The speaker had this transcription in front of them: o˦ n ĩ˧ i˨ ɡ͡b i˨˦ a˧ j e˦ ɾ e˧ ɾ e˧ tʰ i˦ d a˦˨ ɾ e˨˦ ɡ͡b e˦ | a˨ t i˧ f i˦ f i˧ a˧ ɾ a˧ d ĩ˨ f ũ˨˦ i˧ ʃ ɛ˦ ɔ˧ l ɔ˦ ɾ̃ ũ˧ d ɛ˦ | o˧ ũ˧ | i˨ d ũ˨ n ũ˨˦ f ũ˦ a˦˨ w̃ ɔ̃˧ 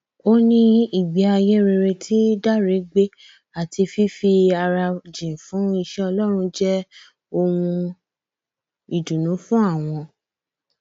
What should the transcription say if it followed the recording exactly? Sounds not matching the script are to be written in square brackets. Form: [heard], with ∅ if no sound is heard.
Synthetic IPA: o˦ n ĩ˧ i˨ ɡ͡b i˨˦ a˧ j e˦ ɾ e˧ ɾ e˧ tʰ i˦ d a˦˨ ɾ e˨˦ ɡ͡b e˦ | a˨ t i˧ f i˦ f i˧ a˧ ɾ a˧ [d͡ʒ] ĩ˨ f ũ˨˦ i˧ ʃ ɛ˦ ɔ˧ l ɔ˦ ɾ̃ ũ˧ [d͡ʒ] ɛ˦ | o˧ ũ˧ | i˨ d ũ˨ n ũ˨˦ f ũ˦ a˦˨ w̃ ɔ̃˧

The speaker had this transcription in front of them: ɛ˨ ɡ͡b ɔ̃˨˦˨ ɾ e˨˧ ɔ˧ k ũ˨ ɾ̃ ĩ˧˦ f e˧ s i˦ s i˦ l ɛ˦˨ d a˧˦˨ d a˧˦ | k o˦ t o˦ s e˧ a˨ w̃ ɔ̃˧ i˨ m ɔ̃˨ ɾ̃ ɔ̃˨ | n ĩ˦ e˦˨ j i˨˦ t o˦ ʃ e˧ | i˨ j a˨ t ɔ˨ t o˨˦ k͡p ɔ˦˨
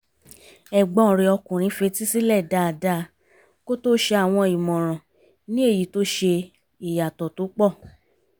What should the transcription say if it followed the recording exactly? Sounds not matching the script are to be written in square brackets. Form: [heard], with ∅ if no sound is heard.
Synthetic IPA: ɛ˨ ɡ͡b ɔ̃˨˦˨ ɾ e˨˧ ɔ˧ k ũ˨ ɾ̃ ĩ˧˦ f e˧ [t] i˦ s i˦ l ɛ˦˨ d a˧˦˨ d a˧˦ | k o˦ t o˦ [ʃ] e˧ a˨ w̃ ɔ̃˧ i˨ m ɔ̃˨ ɾ̃ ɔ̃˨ | n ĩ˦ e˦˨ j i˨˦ t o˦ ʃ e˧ | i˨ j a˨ t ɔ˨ t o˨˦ k͡p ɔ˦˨

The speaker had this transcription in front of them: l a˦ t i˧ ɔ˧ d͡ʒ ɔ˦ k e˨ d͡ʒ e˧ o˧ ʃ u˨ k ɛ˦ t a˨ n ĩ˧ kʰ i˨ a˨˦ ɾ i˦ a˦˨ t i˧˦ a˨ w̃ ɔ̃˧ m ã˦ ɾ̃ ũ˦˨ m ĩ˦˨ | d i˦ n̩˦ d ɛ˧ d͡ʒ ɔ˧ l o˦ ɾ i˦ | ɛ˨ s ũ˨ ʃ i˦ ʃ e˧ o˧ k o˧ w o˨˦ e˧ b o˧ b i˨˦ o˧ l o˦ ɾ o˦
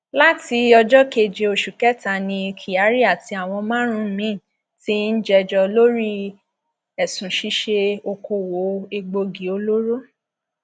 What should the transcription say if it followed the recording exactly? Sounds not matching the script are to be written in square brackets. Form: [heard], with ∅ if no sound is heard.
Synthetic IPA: l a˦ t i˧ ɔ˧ d͡ʒ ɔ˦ k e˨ d͡ʒ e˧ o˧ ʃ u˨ k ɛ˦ t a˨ n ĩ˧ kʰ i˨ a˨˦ ɾ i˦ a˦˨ t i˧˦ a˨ w̃ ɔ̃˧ m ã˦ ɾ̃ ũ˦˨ m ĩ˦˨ | [t] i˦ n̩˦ [d͡ʒ] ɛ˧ d͡ʒ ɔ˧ l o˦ ɾ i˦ | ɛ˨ s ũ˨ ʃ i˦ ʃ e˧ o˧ k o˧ w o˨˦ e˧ [ɡ͡b] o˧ [ɡ] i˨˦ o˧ l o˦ ɾ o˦

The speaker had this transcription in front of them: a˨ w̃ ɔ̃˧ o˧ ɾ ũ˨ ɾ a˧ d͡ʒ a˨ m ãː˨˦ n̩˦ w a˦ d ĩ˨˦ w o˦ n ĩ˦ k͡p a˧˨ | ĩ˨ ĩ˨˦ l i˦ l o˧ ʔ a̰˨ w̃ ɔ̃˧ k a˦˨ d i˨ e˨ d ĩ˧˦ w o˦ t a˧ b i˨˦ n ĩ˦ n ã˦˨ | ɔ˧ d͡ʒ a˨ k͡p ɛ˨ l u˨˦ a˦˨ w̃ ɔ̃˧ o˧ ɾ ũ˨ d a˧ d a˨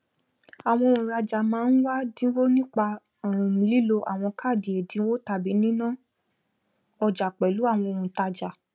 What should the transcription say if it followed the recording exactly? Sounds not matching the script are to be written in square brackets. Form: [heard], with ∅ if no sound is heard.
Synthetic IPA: a˨ w̃ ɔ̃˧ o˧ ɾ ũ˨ ɾ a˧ d͡ʒ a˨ m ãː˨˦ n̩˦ w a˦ d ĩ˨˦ w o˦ n ĩ˦ k͡p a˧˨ | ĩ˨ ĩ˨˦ l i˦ l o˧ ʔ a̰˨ w̃ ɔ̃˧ k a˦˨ d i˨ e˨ d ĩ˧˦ w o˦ t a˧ b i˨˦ n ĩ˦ n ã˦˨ | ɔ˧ d͡ʒ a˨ k͡p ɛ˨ l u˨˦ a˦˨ w̃ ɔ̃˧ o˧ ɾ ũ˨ [t] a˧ [d͡ʒ] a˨

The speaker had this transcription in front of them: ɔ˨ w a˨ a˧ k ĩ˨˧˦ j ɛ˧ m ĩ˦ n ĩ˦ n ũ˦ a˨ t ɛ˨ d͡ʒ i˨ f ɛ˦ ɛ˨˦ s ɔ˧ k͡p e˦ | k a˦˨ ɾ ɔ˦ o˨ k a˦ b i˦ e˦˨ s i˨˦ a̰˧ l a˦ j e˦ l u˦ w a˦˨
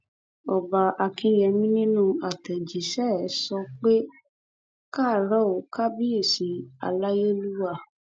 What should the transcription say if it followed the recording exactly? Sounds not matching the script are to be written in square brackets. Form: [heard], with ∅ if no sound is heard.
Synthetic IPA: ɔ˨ [b] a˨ a˧ k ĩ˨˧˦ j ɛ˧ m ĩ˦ n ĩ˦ n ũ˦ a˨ t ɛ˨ d͡ʒ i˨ [ʃ] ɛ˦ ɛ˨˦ s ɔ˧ k͡p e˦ | k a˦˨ ɾ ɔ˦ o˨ k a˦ b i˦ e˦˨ s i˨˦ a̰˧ l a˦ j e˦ l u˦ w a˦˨

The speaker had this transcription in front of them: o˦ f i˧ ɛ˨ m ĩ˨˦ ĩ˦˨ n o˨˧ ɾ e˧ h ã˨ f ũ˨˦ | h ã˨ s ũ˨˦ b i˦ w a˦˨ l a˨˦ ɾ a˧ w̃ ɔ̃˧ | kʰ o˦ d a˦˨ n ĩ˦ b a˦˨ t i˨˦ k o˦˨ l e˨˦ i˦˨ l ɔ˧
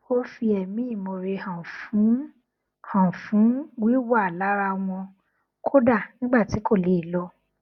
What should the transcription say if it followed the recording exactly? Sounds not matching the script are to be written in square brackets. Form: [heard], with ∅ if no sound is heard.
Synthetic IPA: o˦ f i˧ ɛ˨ m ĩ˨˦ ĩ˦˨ [m] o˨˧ ɾ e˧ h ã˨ f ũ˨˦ | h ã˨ [f] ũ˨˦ [w] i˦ w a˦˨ l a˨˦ ɾ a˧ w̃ ɔ̃˧ | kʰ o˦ d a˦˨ n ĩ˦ [ɡ͡b] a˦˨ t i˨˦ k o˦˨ l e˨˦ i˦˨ l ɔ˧

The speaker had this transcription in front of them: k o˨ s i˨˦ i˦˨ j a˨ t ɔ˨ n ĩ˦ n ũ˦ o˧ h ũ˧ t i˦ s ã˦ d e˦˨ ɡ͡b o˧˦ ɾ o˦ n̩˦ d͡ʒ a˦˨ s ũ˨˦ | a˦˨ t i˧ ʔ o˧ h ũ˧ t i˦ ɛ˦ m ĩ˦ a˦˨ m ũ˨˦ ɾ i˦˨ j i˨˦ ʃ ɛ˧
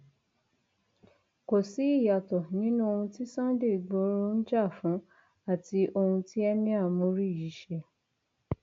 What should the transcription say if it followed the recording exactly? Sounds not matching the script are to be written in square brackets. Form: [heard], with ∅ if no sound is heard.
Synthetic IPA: k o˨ s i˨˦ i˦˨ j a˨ t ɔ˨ n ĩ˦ n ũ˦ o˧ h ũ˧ t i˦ s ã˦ d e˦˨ ɡ͡b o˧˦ ɾ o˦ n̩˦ d͡ʒ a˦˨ [f] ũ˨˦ | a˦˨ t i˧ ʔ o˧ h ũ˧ t i˦ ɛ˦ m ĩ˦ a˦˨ m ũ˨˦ ɾ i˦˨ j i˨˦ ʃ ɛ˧

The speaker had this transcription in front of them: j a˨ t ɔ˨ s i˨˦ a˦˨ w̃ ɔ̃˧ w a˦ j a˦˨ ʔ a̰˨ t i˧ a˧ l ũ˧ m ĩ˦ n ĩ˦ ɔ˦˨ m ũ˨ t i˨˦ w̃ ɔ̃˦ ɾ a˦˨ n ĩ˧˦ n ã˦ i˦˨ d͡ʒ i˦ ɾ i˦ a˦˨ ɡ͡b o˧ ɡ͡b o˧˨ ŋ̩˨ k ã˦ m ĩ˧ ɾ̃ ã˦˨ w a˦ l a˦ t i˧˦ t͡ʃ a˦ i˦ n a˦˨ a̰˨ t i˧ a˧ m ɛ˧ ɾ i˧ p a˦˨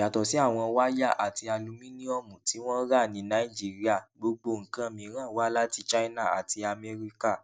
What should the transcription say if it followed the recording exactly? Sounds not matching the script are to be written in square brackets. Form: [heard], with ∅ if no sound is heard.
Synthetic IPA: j a˨ t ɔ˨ s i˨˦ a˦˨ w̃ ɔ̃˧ w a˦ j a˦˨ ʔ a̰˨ t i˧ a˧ l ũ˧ m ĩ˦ n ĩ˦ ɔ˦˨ m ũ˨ t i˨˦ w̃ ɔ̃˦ ɾ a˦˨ n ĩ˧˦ n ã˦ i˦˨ d͡ʒ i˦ ɾ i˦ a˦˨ ɡ͡b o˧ ɡ͡b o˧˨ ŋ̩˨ k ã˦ m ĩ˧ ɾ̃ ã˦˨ w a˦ l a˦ t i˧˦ t͡ʃ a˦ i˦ n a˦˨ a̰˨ t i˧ a˧ m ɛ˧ ɾ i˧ [k] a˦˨

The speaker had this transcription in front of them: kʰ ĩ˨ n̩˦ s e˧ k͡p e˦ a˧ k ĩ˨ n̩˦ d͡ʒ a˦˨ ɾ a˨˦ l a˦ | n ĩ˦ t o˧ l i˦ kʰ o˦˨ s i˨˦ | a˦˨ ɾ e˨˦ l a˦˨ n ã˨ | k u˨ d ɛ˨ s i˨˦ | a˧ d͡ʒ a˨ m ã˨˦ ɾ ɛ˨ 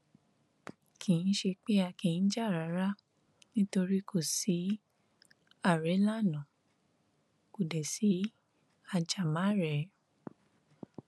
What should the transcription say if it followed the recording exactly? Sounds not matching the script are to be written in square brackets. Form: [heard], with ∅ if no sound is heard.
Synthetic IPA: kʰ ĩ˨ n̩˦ [ʃ] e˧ k͡p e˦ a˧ k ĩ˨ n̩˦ d͡ʒ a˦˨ ɾ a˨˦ [ɾ] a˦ | n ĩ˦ t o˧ [ɾ] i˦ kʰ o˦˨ s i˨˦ | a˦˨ ɾ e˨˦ l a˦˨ n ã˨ | k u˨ d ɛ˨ s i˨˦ | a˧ d͡ʒ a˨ m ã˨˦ ɾ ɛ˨

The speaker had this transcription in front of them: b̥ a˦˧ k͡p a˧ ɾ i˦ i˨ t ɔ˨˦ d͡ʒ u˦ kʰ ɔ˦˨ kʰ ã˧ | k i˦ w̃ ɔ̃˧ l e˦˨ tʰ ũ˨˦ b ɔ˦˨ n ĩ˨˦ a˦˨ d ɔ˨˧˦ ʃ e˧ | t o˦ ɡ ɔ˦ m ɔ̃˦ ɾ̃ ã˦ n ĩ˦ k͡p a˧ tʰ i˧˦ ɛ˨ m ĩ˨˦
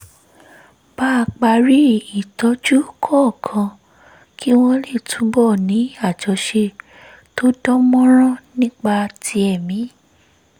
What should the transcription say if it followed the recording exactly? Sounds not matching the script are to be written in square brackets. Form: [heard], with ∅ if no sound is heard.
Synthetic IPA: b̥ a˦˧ k͡p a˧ ɾ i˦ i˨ t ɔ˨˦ d͡ʒ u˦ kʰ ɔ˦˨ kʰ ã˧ | k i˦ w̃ ɔ̃˧ l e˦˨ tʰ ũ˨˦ b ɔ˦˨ n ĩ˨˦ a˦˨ [d͡ʒ] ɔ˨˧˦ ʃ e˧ | t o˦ [d] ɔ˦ m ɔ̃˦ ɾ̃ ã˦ n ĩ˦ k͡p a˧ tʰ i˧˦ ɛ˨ m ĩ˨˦

